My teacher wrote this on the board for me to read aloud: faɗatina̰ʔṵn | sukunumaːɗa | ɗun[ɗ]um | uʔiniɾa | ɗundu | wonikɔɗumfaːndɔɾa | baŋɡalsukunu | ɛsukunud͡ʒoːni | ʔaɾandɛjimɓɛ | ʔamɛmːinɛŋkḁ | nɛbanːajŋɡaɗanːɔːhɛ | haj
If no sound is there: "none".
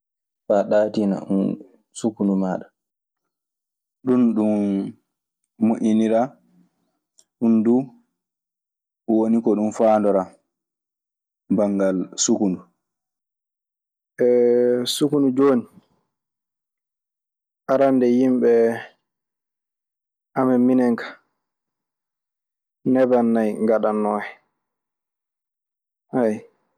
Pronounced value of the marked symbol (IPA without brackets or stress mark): ɗ